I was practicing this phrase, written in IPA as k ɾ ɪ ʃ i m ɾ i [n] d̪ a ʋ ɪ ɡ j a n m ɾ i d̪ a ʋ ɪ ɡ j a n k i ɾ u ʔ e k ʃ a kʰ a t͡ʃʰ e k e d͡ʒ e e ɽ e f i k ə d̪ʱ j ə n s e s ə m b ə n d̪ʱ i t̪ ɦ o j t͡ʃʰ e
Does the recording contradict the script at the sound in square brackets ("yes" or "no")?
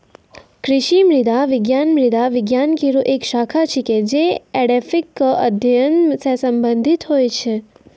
yes